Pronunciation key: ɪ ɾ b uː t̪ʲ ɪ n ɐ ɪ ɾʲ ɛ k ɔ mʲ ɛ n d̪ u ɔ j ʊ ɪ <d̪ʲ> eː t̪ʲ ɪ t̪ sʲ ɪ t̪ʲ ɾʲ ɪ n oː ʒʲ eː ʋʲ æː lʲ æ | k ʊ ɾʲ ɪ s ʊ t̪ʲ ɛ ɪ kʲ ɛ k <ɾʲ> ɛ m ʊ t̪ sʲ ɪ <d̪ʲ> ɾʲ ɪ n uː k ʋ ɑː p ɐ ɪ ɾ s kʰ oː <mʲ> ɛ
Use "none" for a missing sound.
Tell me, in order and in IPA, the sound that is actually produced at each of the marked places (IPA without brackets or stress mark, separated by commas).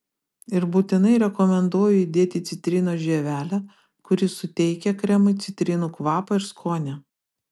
d̪ʲ, ɾʲ, t̪ʲ, nʲ